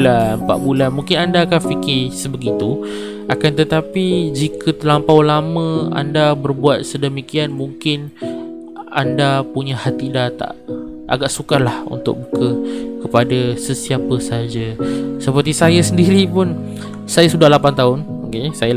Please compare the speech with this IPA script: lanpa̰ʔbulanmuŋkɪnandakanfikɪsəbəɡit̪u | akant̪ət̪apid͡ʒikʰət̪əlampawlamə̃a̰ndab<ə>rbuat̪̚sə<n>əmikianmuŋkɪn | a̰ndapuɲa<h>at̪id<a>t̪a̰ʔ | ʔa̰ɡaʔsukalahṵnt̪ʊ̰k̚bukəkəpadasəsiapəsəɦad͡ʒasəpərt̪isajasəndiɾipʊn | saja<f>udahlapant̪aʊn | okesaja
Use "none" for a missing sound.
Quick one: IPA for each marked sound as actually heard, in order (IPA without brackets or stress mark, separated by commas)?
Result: ə, d, h, a, s